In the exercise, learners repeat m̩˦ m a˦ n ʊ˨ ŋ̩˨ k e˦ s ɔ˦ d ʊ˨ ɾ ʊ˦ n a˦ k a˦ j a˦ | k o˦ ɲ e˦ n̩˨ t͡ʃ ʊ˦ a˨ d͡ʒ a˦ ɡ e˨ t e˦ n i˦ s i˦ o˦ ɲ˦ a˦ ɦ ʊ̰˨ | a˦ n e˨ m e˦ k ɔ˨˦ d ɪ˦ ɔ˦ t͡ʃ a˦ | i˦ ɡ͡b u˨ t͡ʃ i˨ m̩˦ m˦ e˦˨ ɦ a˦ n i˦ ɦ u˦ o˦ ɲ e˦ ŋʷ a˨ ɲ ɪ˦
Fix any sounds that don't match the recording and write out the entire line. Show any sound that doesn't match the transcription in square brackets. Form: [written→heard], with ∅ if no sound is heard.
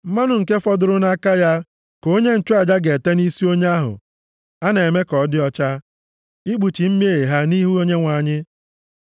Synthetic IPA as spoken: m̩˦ m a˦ n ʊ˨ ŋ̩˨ k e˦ [s→f] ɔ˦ d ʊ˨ ɾ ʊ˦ n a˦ k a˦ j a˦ | k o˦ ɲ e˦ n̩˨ t͡ʃ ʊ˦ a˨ d͡ʒ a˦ ɡ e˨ t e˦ n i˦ s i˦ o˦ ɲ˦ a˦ ɦ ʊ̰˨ | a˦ n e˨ m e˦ k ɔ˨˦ d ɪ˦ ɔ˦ t͡ʃ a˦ | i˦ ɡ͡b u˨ t͡ʃ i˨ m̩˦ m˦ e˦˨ ɦ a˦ n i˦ ɦ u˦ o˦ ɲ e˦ ŋʷ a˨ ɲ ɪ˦

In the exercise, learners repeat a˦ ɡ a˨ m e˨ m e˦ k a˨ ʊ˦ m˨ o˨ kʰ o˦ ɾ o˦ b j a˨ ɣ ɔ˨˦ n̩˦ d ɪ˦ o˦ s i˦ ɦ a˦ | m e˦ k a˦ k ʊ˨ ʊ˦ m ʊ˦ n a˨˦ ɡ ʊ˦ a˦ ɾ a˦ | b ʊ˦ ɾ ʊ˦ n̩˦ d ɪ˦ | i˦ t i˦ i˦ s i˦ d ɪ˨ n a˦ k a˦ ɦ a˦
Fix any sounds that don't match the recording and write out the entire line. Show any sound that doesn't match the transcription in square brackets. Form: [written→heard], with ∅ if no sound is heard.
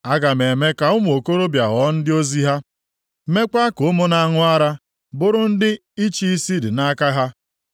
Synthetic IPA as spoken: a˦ ɡ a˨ m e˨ m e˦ k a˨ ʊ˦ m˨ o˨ [kʰ→k] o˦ ɾ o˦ b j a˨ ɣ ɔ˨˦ n̩˦ d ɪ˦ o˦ [s→z] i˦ ɦ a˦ | m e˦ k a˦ k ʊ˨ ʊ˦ m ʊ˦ n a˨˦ [ɡ→ŋ] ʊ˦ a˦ ɾ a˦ | b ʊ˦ ɾ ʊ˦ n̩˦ d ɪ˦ | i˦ [t→t͡ʃ] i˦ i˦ s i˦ d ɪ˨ n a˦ k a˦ ɦ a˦

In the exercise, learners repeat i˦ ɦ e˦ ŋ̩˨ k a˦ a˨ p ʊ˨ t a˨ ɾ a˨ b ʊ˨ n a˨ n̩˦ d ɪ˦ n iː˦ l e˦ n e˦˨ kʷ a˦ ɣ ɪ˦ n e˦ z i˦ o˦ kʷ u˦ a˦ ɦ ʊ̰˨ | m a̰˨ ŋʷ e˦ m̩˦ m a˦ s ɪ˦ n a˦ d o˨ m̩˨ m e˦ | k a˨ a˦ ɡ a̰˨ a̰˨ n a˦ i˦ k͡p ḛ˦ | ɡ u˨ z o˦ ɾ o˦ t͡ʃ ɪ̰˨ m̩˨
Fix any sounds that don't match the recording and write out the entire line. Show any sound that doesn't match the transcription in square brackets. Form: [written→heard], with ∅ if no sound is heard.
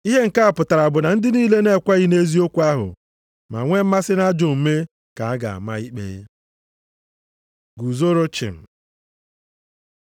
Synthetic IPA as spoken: i˦ ɦ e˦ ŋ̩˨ k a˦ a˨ p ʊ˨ t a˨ ɾ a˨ b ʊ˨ n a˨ n̩˦ d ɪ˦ n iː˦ l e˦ n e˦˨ kʷ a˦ ɣ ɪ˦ n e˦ z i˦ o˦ kʷ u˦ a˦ ɦ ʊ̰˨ | m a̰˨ ŋʷ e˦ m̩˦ m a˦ s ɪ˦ n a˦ [d→d͡ʒ] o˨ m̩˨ m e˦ | k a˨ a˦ ɡ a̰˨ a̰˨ [n→m] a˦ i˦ k͡p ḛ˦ | ɡ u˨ z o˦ ɾ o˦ t͡ʃ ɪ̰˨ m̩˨

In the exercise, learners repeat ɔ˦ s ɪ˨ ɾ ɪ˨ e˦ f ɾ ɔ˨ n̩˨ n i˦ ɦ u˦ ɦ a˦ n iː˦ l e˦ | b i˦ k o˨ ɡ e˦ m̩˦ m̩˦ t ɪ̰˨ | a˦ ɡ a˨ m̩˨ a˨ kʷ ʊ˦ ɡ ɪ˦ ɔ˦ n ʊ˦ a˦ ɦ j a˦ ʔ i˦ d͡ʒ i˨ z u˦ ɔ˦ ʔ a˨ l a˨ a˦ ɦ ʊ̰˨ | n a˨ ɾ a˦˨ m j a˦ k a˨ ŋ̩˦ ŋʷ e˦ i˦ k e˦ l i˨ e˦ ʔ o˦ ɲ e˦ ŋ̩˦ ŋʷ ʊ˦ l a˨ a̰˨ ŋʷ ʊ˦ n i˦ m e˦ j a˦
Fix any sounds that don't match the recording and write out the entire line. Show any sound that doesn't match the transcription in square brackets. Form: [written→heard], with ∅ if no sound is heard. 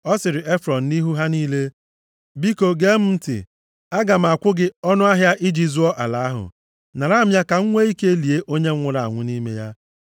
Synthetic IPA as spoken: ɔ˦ s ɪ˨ ɾ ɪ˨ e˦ f ɾ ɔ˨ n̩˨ n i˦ ɦ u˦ ɦ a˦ n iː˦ l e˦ | b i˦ k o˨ ɡ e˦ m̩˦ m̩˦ t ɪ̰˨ | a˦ ɡ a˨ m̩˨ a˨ kʷ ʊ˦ ɡ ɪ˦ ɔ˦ n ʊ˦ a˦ ɦ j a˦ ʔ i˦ d͡ʒ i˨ z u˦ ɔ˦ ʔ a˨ l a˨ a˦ ɦ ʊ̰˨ | n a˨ ɾ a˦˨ m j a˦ k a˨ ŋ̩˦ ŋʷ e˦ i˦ k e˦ l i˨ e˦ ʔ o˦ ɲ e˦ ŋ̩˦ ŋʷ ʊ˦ [l→ɾ] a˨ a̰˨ ŋʷ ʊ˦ n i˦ m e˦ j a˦

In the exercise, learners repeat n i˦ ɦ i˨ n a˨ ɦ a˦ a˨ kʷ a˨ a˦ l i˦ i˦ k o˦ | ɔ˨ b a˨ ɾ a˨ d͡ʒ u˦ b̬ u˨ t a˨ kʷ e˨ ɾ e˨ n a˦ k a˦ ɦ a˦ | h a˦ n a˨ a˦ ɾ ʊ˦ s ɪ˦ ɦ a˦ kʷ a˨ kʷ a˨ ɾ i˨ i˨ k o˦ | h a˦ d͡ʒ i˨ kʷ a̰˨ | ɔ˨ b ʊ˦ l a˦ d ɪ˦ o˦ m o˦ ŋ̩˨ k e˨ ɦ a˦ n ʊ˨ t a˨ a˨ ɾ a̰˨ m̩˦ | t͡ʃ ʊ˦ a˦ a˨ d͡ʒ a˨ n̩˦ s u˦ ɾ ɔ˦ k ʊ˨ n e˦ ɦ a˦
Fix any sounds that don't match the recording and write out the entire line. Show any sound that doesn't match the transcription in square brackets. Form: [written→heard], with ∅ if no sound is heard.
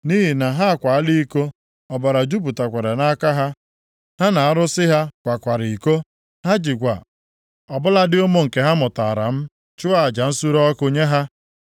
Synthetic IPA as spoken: n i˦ ɦ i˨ n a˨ ɦ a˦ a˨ kʷ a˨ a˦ l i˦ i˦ k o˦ | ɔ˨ b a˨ ɾ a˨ d͡ʒ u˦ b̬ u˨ t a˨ kʷ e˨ ɾ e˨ n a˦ k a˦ ɦ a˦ | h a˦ n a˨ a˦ ɾ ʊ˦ s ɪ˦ ɦ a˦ kʷ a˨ kʷ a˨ ɾ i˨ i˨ k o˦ | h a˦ d͡ʒ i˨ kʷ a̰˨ | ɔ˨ b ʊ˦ l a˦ d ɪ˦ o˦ m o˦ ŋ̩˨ k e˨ ɦ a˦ [n→m] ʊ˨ t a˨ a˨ ɾ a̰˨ m̩˦ | t͡ʃ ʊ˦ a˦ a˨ d͡ʒ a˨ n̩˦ s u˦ ɾ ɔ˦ k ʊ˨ [n→ɲ] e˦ ɦ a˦

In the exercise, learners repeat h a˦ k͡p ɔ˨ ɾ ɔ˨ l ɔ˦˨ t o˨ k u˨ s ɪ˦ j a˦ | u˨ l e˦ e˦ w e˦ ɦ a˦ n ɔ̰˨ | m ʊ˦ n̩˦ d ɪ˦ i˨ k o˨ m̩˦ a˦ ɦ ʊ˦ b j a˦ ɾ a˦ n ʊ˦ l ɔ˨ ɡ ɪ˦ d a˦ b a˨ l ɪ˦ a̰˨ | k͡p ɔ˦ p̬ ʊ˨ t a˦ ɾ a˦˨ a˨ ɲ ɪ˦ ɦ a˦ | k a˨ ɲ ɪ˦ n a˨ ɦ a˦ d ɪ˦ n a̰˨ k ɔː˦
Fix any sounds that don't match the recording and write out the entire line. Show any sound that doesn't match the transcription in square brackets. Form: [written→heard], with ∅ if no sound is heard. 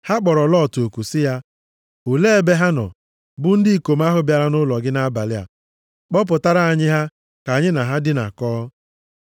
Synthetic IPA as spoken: h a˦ k͡p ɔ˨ ɾ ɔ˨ l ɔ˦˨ t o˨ k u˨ s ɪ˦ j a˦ | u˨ l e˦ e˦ [w→b] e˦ ɦ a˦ n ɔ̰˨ | [m→b] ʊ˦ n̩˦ d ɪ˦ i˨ k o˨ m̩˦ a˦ ɦ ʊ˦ b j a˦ ɾ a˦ n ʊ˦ l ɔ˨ ɡ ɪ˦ [d→n] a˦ b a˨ l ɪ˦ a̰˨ | k͡p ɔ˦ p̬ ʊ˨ t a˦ ɾ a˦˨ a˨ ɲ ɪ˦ ɦ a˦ | k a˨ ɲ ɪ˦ n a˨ ɦ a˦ d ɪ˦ n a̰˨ k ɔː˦

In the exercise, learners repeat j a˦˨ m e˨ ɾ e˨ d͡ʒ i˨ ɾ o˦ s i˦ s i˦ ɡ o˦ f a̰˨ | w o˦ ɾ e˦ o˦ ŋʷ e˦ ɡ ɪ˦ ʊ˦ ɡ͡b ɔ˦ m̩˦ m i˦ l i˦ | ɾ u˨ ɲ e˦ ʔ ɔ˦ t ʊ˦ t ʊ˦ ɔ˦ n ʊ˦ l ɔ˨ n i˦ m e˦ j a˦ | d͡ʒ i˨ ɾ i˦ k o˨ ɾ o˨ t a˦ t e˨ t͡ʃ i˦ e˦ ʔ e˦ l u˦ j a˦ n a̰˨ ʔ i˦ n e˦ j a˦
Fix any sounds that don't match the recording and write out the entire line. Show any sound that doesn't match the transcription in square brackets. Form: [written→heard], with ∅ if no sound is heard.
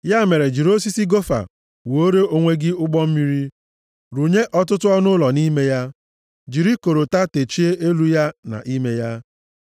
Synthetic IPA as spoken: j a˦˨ m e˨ ɾ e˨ d͡ʒ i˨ ɾ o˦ s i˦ s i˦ ɡ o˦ f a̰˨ | w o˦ ɾ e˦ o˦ ŋʷ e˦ ɡ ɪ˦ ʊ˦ ɡ͡b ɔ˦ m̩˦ m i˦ [l→ɾ] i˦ | ɾ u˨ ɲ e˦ ʔ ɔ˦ t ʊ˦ t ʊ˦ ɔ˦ n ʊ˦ l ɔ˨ n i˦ m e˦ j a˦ | d͡ʒ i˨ ɾ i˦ k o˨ ɾ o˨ t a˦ t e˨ t͡ʃ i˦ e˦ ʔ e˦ l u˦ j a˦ n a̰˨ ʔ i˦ [n→m] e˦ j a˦

